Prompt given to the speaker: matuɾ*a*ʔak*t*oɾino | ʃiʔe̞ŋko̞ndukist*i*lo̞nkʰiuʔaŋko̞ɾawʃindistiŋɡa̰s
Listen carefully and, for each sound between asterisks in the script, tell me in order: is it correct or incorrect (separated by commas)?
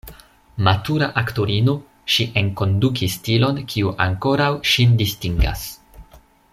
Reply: correct, correct, correct